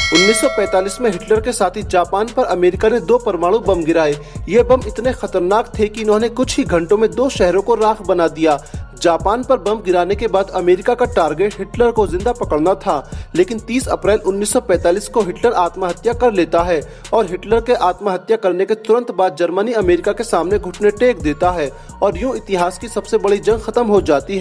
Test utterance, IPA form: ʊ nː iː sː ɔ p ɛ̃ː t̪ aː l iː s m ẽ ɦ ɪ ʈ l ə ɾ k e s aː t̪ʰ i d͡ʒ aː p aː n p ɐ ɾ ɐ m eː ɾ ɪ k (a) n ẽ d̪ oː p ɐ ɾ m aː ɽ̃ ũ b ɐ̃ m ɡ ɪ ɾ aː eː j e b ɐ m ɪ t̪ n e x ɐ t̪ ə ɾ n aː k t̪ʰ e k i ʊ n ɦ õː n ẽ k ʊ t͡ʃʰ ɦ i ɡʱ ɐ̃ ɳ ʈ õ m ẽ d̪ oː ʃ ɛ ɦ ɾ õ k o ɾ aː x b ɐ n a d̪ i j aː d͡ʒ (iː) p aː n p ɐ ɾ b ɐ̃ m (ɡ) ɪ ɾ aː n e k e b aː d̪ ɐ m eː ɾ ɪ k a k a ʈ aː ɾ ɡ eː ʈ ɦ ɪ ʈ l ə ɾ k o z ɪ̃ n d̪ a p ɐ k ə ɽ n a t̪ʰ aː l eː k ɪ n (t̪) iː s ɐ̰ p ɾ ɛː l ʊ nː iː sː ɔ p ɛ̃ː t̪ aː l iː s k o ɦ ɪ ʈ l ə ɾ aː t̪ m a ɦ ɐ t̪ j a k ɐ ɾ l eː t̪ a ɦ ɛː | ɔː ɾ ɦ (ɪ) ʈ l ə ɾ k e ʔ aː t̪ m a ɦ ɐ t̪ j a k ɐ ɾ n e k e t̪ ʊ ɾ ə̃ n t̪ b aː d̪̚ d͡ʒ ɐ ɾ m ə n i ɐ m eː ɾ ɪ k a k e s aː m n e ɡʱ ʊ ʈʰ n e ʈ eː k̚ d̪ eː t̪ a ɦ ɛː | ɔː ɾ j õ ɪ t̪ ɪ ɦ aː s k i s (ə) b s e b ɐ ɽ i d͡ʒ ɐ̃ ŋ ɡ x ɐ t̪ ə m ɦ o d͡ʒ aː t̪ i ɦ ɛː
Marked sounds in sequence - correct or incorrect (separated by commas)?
correct, incorrect, correct, correct, correct, incorrect